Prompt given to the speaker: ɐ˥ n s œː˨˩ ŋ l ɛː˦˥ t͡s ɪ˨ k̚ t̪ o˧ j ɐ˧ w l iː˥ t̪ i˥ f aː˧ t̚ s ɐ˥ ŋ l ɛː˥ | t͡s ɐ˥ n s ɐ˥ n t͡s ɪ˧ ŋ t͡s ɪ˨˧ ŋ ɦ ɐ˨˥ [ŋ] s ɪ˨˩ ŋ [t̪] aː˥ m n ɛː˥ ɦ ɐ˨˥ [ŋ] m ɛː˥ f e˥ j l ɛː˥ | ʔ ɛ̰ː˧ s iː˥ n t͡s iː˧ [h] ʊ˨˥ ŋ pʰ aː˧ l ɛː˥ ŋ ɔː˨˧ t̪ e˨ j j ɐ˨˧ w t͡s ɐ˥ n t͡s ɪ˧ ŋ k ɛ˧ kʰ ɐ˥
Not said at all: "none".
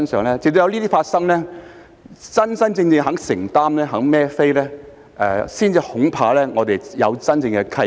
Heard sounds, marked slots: ŋ, t̪, ŋ, h

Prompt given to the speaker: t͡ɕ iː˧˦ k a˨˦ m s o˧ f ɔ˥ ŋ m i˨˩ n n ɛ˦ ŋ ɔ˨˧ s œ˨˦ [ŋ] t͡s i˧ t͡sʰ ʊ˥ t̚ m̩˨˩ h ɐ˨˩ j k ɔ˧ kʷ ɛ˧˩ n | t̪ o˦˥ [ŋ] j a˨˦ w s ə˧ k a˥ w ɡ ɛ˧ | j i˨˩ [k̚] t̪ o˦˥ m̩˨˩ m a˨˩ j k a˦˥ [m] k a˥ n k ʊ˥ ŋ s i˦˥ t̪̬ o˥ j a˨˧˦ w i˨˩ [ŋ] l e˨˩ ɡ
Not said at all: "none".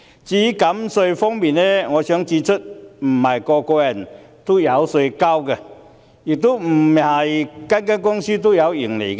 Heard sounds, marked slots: ŋ, none, k̚, n, ŋ

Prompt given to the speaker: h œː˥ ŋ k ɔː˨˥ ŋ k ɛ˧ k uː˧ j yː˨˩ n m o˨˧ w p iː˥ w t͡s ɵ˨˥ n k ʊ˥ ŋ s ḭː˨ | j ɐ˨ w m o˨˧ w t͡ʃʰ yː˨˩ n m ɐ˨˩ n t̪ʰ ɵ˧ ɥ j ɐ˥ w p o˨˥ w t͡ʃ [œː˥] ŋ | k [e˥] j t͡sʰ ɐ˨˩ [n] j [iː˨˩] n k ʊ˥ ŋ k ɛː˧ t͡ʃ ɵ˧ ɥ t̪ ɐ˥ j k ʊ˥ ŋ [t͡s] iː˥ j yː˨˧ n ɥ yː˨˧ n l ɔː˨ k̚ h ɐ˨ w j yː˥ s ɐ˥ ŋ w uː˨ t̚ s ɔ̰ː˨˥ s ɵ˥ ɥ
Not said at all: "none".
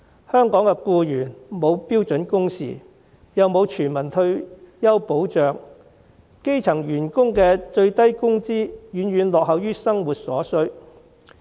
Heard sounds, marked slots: œː˨, e˥, ŋ, yː˨˩, t͡s

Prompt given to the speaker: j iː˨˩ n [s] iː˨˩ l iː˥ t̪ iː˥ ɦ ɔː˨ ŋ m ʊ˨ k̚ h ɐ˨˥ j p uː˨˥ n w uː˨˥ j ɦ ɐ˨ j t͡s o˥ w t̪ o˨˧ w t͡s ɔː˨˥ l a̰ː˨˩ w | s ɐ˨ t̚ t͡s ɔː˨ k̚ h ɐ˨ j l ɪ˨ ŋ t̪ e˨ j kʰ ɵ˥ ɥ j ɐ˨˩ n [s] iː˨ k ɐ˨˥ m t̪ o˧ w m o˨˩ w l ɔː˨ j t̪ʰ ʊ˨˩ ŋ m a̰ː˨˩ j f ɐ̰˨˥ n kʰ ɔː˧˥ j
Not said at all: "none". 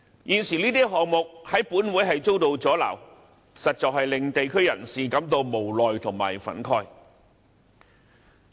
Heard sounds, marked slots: s, s

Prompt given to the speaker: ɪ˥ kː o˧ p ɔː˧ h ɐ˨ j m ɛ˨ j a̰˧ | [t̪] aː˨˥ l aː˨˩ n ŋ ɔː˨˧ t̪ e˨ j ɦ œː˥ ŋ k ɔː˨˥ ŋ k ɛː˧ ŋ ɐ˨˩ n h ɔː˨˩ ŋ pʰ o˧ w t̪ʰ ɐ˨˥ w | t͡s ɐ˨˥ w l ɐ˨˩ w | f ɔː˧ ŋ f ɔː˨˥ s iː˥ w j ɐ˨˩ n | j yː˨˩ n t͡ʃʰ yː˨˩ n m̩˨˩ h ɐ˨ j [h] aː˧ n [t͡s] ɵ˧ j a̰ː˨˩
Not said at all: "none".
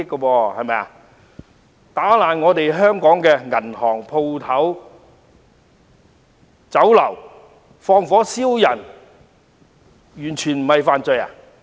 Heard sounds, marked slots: t̪, f, t͡s

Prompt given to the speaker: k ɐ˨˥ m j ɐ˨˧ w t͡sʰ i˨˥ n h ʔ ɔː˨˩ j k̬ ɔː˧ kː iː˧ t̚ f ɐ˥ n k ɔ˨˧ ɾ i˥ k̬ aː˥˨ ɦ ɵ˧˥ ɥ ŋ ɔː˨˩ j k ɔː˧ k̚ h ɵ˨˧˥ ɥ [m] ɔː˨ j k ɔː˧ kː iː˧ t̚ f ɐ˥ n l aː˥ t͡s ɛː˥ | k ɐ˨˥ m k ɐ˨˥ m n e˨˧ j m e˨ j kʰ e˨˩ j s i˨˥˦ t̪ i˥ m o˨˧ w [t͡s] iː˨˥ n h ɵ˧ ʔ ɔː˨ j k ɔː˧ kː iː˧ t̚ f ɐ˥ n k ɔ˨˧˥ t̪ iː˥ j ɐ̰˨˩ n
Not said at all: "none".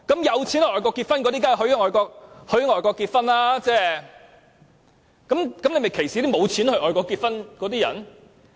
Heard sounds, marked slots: ŋ, t͡sʰ

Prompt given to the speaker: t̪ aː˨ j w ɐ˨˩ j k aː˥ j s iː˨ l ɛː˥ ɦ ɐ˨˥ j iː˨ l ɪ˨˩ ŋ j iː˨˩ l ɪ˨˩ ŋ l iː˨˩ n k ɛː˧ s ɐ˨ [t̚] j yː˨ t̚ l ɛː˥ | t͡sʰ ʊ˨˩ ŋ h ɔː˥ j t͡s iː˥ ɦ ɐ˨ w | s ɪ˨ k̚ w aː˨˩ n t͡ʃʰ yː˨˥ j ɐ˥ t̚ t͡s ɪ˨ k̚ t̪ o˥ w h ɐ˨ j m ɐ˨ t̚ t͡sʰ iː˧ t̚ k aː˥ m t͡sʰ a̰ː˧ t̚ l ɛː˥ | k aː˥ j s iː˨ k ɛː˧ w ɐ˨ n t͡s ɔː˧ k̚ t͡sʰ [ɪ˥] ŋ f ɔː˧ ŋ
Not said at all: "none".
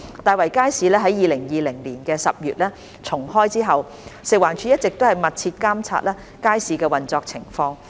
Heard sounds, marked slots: p̚, ɪ˨˩

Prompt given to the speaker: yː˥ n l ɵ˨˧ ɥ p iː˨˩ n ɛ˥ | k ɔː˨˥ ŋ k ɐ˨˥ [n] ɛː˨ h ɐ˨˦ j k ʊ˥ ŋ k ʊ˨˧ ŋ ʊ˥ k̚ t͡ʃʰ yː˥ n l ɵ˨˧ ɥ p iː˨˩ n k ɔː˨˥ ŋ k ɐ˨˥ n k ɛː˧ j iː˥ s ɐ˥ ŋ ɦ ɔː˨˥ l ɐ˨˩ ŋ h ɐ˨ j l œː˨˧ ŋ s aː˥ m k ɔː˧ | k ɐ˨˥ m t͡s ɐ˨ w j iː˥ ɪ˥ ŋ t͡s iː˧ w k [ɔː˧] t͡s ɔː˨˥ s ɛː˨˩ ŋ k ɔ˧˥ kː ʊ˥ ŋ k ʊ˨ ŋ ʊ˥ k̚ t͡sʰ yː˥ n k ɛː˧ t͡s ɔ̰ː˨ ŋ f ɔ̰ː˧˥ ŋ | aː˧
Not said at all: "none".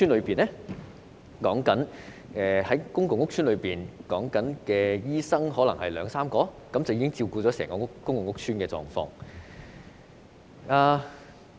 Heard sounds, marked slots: n, uː˧

